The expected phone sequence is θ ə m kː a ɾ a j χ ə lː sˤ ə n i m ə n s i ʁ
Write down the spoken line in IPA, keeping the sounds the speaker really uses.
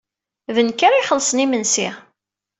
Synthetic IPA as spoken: ð ə n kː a ɾ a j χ ə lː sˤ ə n i m ə n s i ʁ